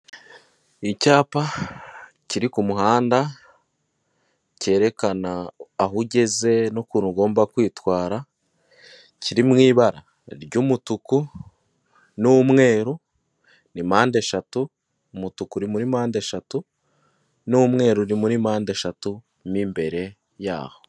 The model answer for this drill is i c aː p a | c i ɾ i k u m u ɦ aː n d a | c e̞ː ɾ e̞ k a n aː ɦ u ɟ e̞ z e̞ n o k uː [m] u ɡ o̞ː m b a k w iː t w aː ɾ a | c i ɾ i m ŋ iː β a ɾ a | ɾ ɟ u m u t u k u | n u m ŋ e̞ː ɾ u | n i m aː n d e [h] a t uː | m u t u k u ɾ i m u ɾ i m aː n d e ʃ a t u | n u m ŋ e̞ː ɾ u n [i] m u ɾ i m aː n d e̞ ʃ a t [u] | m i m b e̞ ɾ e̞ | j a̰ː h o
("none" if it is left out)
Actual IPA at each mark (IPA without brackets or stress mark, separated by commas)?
n, ʃ, i, u